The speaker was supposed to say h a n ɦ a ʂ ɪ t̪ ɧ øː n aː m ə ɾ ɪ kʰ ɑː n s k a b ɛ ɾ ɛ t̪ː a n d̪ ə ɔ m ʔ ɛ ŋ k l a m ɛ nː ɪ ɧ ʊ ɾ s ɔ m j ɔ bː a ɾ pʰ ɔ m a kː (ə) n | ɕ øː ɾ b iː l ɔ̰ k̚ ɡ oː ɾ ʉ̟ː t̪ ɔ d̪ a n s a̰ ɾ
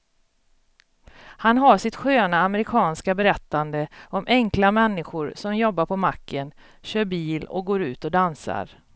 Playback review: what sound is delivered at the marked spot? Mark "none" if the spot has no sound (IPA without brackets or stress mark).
ə